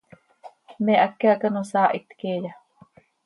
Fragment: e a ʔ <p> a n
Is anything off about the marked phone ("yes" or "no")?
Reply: yes